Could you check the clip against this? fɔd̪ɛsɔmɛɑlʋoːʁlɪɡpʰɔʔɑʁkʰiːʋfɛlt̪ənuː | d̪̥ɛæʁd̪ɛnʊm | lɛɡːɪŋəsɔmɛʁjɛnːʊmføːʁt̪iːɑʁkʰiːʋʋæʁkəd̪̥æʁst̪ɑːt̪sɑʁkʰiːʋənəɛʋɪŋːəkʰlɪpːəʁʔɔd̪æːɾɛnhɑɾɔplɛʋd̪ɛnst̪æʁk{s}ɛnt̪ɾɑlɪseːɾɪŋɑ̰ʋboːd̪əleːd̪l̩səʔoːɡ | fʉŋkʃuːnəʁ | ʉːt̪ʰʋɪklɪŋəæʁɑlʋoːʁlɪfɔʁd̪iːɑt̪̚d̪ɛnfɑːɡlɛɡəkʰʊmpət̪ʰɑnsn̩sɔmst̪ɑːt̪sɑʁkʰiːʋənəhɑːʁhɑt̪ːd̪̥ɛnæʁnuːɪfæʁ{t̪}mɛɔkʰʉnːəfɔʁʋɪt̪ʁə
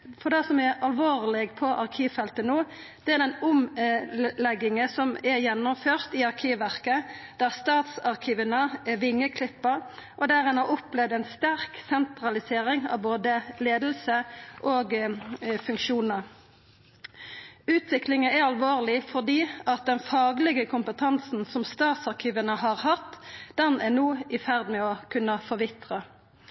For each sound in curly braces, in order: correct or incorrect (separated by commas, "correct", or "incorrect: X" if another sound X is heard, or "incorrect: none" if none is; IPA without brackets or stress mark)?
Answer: correct, incorrect: d̪